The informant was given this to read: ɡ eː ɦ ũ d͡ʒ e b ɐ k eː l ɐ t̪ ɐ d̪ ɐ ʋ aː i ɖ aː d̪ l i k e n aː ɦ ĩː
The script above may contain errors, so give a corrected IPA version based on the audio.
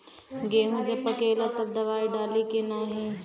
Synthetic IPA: ɡ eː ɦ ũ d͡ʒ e p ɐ k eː l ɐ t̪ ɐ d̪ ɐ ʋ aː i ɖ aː l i k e n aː ɦ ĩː